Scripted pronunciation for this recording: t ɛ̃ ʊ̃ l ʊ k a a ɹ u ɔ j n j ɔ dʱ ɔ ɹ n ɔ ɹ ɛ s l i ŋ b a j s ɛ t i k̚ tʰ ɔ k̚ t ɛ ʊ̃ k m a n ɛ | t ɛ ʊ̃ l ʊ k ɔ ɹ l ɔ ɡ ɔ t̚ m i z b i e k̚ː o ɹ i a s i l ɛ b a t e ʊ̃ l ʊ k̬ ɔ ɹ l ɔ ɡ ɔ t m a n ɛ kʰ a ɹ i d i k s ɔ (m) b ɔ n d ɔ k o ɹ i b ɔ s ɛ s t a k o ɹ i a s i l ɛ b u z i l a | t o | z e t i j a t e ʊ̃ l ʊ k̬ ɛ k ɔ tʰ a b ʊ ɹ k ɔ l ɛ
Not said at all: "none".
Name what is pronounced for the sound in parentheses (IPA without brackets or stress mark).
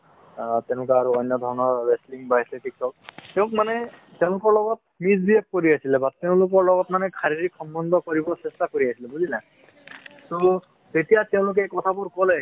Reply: m